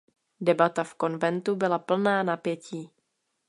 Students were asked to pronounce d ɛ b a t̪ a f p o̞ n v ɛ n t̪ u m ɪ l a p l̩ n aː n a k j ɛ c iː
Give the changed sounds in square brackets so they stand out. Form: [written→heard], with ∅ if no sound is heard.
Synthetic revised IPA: d ɛ b a t̪ a f [p→k] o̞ n v ɛ n t̪ u [m→b] ɪ l a p l̩ n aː n a [k→p] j ɛ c iː